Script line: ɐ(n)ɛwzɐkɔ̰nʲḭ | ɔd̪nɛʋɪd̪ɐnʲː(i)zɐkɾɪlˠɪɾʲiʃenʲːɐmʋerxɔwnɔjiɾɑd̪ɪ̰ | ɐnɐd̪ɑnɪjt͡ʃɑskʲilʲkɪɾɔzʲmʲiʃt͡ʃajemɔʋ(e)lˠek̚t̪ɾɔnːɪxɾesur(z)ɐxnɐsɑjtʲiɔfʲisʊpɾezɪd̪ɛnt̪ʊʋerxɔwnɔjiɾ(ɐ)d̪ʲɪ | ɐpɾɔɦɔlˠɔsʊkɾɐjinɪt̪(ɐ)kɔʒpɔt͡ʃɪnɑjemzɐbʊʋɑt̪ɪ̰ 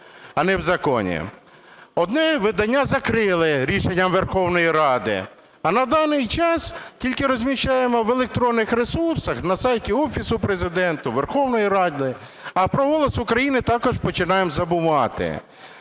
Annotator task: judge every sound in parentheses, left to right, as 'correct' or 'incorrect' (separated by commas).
correct, incorrect, correct, incorrect, incorrect, incorrect